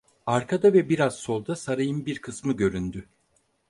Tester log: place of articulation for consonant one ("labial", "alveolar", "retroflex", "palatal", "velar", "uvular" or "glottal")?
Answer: alveolar